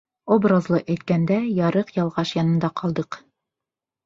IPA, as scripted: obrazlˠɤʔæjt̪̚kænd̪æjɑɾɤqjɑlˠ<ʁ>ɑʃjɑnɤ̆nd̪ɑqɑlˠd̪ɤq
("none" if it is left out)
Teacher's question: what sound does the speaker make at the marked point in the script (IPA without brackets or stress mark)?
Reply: ʁ